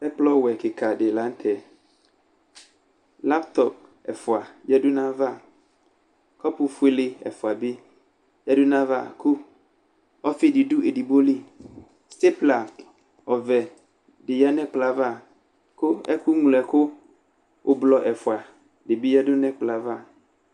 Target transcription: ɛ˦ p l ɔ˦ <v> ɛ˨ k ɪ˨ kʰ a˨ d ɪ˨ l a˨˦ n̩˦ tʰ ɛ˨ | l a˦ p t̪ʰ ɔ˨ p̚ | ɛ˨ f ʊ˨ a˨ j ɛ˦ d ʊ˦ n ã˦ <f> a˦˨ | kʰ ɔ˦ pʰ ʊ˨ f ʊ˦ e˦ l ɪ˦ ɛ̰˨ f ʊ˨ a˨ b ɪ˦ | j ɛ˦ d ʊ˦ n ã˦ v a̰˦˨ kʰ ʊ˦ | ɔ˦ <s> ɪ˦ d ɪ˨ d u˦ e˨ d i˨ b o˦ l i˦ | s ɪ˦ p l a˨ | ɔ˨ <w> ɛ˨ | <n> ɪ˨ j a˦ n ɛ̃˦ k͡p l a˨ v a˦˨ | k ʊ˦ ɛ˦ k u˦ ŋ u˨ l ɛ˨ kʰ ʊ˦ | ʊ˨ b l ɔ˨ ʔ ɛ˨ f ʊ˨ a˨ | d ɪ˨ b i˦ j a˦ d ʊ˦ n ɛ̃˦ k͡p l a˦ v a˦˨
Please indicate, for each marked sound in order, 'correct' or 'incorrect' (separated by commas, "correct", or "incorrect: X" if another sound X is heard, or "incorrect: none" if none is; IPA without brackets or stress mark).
incorrect: w, incorrect: v, incorrect: f, incorrect: v, incorrect: d